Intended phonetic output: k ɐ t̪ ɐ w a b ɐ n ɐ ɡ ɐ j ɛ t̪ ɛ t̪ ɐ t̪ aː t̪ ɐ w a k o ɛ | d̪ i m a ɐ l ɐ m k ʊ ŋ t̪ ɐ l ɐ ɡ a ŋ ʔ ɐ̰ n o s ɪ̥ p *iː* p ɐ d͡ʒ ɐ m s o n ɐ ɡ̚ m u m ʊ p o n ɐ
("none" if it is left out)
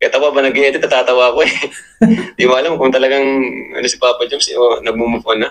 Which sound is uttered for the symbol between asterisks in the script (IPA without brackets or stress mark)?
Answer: aː